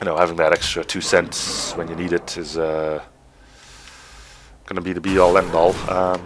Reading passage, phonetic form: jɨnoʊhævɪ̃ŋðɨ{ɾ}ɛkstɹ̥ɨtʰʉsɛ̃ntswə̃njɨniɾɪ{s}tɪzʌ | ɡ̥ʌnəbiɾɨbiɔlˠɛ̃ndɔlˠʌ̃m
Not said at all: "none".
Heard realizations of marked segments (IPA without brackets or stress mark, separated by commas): ɾ, none